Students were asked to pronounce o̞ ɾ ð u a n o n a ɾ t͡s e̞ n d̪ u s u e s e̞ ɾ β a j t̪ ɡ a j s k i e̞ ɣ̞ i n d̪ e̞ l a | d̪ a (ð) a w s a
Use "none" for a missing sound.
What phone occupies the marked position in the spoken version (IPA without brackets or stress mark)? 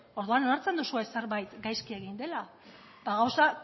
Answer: ɣ